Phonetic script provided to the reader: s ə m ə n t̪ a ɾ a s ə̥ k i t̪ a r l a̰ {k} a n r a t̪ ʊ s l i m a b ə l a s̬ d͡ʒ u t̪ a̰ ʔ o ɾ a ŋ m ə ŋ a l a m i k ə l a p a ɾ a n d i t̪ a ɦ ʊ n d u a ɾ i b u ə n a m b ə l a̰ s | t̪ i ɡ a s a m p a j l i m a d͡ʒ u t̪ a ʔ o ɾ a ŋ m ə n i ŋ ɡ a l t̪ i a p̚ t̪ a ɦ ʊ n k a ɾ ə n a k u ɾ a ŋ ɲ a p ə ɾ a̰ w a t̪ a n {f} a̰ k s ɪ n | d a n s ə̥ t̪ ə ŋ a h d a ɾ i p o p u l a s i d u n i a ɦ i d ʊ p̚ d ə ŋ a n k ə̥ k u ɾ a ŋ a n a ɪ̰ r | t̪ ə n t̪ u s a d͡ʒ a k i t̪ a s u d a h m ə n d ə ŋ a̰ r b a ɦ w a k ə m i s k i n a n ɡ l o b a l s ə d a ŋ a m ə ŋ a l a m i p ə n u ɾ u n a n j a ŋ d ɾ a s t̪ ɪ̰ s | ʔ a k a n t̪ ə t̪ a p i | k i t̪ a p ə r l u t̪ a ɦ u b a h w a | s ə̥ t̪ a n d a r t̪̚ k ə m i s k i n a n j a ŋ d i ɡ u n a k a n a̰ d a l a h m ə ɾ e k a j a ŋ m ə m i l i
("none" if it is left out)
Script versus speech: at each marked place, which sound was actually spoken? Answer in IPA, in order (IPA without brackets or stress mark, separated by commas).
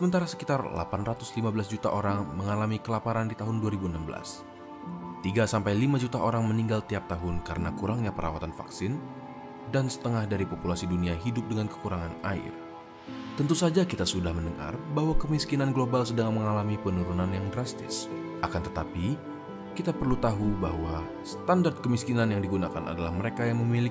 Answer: p, f